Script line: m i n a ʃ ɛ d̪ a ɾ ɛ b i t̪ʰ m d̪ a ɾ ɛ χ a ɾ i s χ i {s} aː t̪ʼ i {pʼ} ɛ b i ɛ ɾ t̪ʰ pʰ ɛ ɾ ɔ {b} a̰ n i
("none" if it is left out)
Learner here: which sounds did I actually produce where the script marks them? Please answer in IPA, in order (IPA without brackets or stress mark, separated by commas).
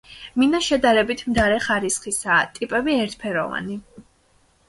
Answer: s, pʼ, v